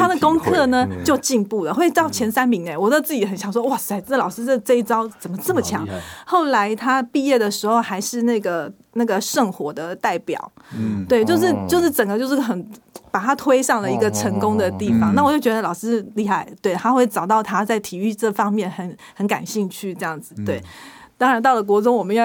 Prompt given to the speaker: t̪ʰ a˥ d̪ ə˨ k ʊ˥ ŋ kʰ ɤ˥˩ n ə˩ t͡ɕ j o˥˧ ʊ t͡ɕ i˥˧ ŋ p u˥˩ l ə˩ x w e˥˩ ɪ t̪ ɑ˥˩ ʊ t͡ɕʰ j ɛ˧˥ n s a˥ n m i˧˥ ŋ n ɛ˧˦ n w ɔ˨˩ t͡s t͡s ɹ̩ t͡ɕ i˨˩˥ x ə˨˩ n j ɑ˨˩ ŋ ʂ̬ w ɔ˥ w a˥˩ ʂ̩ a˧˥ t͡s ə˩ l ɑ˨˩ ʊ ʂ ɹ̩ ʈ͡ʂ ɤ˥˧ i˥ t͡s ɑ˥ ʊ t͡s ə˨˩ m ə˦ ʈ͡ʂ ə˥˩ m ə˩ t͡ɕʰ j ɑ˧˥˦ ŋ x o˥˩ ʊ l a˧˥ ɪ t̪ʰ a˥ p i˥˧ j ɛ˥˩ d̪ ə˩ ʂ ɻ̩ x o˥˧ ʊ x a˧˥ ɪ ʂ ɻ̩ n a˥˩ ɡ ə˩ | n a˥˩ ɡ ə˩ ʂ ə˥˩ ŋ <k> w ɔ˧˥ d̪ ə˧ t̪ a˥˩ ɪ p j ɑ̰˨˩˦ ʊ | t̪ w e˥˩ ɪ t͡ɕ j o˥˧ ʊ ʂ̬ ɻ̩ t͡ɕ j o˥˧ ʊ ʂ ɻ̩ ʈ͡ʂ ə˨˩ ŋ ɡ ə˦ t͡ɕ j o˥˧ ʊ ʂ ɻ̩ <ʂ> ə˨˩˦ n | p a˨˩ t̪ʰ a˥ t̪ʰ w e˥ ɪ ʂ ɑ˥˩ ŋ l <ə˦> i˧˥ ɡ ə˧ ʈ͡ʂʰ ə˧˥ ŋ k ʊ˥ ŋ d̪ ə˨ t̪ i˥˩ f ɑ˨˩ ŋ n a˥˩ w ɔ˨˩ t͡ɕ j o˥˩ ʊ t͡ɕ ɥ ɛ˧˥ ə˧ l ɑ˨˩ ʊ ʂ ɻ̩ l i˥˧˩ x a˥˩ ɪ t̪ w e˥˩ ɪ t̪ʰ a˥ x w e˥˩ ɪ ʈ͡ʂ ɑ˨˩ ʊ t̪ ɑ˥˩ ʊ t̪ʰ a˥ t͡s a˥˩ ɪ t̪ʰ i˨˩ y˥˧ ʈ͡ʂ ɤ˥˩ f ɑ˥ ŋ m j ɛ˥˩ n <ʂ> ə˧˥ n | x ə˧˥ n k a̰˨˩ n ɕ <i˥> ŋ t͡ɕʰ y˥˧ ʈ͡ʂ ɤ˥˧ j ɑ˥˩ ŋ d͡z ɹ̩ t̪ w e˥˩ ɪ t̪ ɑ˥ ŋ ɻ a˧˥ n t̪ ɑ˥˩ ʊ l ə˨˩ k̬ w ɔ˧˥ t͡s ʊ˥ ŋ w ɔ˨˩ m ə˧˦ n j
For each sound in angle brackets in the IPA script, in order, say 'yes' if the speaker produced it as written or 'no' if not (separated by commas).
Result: no, no, no, no, no